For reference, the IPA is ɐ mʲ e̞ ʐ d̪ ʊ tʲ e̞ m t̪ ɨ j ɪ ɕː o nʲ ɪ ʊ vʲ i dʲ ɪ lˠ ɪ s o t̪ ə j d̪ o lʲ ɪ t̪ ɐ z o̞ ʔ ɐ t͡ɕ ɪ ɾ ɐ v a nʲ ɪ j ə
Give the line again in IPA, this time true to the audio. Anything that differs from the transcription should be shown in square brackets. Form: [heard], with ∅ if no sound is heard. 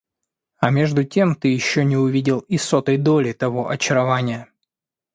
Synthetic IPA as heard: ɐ mʲ e̞ ʐ d̪ ʊ tʲ e̞ m t̪ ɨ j ɪ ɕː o nʲ ɪ ʊ vʲ i dʲ ɪ lˠ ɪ s o t̪ ə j d̪ o lʲ ɪ t̪ ɐ [v] o̞ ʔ ɐ t͡ɕ ɪ ɾ ɐ v a nʲ ɪ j ə